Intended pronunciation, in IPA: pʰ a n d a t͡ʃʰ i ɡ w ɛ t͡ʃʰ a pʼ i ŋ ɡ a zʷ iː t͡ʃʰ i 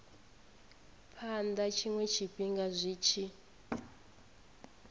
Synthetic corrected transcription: pʰ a n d a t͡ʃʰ i ŋ w ɛ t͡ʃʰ i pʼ i ŋ ɡ a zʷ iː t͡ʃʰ i